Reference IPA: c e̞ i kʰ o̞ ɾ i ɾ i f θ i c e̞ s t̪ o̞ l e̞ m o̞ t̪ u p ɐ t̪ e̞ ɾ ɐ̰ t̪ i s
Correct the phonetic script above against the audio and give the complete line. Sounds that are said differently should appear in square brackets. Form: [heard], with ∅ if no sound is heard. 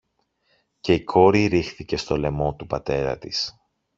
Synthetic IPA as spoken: c e̞ i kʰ o̞ ɾ i ɾ i [x] θ i c e̞ s t̪ o̞ l e̞ m o̞ t̪ u p ɐ t̪ e̞ ɾ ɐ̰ t̪ i s